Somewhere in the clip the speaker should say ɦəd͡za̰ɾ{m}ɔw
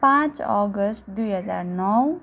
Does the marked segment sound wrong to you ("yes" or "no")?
yes